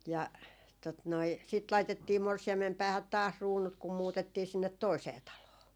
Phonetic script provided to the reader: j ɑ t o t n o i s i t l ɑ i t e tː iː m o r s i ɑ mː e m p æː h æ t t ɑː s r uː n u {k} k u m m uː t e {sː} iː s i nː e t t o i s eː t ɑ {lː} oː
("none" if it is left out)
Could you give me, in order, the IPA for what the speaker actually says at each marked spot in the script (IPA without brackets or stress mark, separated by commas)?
t, tː, l